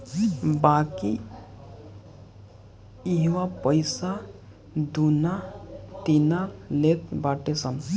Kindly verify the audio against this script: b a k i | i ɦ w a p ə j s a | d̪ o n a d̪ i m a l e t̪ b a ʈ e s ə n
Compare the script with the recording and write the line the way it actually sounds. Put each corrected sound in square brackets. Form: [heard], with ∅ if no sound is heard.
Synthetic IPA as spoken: b a k i | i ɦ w a p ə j s a | d̪ [u] n a [t̪] i [n] a l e t̪ b a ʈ e s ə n